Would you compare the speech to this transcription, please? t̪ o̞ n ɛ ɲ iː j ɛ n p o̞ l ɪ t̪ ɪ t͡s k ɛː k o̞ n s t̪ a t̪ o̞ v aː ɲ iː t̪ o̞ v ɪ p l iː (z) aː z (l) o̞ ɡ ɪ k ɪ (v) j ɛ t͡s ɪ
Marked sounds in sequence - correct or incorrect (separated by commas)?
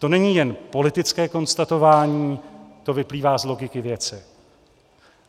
incorrect, correct, correct